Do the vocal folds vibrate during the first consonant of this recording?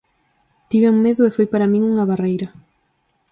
no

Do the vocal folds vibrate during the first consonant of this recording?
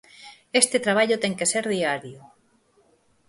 no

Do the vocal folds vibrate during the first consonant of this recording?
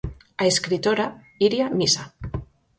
no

